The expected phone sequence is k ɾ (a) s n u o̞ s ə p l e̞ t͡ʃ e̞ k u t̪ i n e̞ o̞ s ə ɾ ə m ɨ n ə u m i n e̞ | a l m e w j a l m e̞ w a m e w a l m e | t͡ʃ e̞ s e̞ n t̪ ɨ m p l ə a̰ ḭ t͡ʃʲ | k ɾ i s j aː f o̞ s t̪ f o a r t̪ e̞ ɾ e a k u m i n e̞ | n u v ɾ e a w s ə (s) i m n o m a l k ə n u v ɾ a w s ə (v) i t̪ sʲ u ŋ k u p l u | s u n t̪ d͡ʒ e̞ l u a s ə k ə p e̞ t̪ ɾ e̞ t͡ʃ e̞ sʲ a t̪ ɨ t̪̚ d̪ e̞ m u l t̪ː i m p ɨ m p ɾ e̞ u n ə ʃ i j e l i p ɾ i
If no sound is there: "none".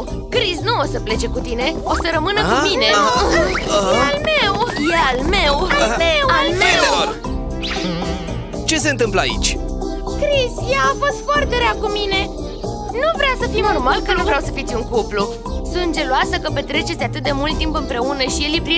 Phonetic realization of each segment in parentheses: i, f, f

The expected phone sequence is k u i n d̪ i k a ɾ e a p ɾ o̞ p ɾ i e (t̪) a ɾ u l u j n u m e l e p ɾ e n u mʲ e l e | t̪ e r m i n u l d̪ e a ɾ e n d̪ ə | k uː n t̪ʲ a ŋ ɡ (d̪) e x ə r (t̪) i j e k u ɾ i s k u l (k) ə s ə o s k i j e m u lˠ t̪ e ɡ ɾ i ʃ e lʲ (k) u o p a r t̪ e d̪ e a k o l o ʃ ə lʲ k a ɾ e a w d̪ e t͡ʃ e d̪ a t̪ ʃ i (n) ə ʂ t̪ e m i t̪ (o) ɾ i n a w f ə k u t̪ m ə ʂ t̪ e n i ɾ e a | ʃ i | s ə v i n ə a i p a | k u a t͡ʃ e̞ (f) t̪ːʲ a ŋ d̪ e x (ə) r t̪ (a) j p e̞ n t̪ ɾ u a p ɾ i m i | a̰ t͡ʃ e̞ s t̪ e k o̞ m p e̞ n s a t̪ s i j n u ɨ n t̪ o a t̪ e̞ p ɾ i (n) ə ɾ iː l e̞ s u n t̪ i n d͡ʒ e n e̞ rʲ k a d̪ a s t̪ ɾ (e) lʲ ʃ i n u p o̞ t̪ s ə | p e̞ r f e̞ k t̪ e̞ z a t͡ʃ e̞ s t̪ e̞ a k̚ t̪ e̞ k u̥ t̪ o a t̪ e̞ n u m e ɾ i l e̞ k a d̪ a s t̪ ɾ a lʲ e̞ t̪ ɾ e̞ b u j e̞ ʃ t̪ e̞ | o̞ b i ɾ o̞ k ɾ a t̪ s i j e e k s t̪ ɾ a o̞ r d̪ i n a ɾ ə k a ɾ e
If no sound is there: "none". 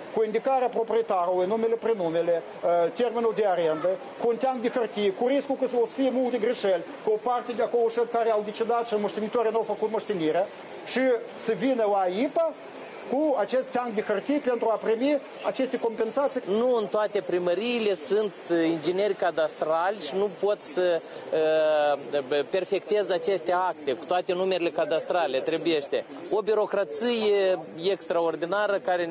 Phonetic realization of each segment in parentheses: t̪, d̪, t̪, k, k, m, o, s, ə, i, m, a

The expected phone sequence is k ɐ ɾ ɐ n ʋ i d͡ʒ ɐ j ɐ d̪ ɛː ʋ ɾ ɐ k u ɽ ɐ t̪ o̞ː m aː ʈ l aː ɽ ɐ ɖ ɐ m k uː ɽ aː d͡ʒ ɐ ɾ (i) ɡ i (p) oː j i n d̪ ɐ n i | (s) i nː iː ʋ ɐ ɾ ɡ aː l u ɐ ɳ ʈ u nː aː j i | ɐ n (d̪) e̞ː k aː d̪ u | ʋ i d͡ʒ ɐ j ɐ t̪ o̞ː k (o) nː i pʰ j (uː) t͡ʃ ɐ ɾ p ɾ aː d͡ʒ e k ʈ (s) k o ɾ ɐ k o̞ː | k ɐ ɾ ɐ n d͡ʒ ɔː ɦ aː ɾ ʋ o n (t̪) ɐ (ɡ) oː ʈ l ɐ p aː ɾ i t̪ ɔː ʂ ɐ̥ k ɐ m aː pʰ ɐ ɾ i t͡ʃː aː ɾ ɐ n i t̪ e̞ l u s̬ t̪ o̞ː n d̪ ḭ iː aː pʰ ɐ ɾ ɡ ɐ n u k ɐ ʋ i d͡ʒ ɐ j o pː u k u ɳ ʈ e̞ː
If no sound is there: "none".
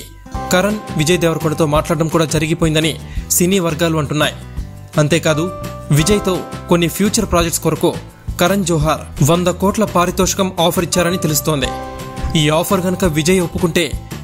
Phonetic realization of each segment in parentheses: i, p, s, t̪, o, uː, s, d̪, k

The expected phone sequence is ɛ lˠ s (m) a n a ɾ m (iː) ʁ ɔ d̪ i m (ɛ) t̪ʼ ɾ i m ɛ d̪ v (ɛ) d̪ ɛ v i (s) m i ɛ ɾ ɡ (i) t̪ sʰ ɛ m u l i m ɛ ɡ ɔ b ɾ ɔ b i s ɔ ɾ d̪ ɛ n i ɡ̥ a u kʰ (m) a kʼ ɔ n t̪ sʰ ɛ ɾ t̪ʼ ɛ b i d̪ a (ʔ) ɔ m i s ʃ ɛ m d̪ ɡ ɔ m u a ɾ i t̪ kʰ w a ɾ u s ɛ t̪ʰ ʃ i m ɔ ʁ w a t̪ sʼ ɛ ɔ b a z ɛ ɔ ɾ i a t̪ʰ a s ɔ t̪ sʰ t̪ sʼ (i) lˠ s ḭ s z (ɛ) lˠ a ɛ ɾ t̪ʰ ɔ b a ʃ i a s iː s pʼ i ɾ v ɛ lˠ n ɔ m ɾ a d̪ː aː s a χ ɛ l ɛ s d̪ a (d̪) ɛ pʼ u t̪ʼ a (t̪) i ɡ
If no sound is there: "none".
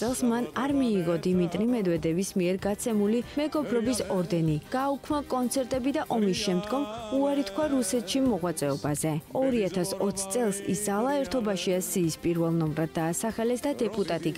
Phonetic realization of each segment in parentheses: m, iː, i, ɛ, s, a, m, ʔ, ɛ, a, d̪, t̪ʼ

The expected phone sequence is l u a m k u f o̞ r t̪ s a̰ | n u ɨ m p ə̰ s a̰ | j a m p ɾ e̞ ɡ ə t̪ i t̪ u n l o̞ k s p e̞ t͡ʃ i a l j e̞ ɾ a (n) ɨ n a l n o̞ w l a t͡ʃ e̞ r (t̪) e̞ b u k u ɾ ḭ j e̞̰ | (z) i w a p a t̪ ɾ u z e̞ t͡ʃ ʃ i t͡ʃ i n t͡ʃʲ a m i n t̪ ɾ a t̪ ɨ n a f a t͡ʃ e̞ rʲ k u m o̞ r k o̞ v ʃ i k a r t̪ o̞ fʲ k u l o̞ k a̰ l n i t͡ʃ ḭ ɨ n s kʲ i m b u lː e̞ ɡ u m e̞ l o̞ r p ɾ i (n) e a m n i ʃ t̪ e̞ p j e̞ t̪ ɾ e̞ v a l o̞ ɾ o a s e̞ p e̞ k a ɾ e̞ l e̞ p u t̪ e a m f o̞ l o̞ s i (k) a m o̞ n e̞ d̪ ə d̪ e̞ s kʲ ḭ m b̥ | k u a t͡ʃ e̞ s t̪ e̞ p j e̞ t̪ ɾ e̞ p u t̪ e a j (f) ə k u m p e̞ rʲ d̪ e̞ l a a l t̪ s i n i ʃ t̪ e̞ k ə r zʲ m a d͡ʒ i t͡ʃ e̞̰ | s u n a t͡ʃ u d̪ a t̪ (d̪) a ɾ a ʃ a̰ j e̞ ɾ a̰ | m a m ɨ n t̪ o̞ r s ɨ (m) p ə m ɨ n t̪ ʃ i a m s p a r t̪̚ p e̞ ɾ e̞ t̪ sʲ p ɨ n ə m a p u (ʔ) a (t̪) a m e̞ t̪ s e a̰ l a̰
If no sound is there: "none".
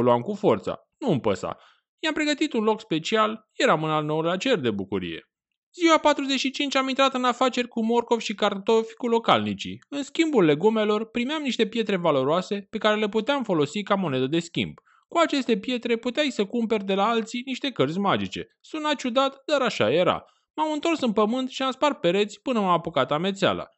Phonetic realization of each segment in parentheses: m, d̪, z, m, k, s, d̪, n, k, t̪

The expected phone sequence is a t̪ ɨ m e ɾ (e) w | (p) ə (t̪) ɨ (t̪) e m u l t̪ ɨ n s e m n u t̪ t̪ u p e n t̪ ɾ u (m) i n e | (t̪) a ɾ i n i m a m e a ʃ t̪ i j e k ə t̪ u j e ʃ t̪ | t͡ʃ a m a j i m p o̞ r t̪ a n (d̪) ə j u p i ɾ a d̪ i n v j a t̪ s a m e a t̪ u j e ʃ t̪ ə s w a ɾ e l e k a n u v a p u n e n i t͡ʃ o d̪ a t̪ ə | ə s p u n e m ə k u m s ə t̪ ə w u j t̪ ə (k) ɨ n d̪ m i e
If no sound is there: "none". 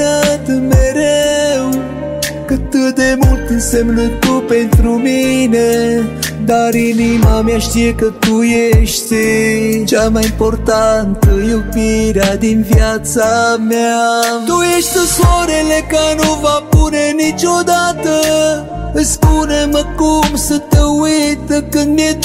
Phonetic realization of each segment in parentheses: e, k, t̪, d̪, m, d̪, t̪, k

